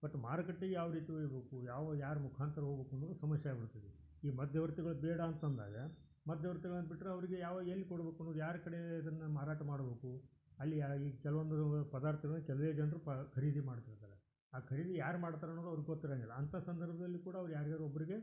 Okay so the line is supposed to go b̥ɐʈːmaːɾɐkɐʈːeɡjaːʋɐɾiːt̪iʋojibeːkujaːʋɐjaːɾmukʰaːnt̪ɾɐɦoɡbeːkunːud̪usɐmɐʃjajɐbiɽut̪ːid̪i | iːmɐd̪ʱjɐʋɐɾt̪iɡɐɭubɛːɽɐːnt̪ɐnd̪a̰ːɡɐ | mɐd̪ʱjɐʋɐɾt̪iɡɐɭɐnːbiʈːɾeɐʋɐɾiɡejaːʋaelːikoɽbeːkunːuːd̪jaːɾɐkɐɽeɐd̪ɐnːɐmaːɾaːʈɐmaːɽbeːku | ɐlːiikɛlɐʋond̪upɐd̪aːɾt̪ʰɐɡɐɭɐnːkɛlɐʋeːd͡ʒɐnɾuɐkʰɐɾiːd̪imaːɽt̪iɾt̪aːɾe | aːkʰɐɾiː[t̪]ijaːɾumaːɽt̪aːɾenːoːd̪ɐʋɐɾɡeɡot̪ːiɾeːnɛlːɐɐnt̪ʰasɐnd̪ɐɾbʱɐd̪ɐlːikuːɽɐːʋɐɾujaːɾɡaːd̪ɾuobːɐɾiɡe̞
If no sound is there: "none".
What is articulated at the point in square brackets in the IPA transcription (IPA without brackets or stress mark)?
d̪